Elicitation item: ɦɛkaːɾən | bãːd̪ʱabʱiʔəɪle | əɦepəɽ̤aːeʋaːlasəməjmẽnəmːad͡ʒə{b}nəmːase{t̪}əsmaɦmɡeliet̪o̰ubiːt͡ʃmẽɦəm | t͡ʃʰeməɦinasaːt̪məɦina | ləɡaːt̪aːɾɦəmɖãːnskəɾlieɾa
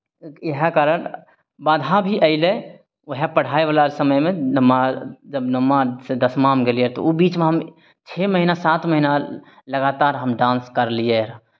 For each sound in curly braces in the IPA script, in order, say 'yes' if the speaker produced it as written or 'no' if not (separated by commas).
yes, no